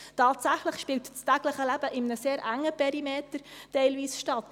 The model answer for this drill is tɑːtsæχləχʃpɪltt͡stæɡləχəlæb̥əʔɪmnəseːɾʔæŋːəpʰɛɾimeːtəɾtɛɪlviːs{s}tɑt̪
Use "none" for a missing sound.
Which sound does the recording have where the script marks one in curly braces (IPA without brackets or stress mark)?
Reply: ʃ